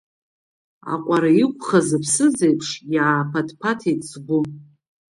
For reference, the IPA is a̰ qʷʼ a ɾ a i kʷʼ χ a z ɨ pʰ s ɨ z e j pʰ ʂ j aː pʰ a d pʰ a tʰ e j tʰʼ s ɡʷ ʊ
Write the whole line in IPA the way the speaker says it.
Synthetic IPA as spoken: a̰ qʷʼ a ɾ a i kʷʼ χ a z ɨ pʰ s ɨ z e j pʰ ʂ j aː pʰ a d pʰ a tʰ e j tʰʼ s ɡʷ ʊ